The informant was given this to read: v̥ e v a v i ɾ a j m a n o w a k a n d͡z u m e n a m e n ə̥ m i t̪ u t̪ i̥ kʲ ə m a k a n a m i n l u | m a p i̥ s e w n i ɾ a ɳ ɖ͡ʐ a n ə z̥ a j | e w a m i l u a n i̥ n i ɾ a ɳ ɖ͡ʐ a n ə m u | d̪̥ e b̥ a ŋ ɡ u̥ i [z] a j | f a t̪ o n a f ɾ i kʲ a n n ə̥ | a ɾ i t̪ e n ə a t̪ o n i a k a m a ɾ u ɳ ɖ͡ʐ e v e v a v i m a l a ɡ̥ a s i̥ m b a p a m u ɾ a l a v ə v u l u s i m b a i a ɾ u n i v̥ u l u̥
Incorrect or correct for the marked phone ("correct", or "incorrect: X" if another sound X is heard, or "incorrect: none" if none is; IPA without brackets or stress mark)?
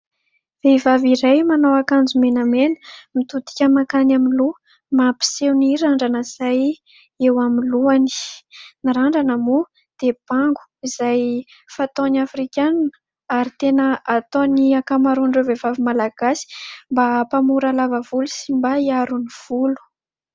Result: correct